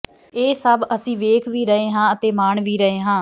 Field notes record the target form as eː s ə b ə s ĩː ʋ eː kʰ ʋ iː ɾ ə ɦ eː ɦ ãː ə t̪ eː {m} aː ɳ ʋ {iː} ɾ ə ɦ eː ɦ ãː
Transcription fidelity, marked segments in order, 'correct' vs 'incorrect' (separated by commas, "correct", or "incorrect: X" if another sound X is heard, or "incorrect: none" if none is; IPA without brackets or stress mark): correct, correct